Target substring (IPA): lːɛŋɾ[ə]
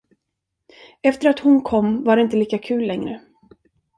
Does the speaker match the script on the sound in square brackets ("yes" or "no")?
yes